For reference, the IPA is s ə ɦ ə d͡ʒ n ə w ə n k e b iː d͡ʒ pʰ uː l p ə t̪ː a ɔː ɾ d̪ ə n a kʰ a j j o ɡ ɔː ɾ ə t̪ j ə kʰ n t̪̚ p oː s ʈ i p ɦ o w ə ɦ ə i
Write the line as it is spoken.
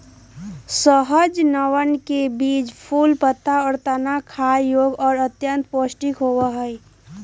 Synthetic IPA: s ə ɦ ə d͡ʒ n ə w ə n k e b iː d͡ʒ pʰ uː l p ə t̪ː a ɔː ɾ t̪ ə n a kʰ a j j o ɡ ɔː ɾ ə t̪ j ə n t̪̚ p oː s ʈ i k ɦ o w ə ɦ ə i